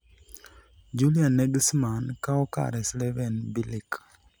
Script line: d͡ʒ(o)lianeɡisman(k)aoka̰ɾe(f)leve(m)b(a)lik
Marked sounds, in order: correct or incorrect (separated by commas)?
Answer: incorrect, correct, incorrect, incorrect, incorrect